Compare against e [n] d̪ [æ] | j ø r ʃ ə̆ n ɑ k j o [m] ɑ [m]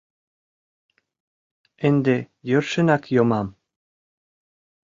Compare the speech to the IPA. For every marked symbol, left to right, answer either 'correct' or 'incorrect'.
correct, incorrect, correct, correct

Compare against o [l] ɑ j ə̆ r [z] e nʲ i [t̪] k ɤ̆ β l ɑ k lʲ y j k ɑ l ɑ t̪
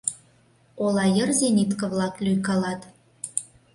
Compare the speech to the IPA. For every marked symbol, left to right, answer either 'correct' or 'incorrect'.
correct, correct, correct

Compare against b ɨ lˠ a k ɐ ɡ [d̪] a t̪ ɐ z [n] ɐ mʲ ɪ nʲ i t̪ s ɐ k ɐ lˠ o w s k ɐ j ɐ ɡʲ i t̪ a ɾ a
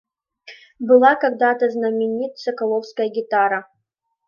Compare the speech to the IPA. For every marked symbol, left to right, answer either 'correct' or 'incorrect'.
correct, correct

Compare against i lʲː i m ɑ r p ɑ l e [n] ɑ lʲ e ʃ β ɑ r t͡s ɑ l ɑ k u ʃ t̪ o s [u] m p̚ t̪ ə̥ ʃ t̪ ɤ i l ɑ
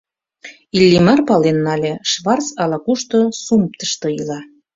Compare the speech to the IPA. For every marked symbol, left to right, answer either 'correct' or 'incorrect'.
incorrect, correct

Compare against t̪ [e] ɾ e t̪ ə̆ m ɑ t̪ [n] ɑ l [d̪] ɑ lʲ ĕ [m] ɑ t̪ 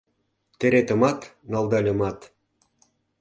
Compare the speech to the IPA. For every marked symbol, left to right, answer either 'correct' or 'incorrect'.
correct, correct, correct, correct

